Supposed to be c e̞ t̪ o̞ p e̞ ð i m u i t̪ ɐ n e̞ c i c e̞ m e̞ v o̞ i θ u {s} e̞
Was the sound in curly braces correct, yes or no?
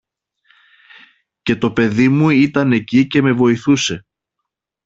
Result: yes